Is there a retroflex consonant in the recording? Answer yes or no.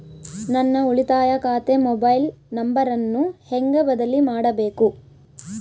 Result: yes